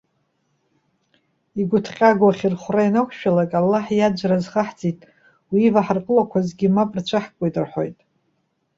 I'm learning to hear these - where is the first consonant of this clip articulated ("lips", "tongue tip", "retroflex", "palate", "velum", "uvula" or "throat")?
velum